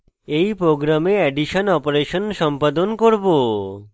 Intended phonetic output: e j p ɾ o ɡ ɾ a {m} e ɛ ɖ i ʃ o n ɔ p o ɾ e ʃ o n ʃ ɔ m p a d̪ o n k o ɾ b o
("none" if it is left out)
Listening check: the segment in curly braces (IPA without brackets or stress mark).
m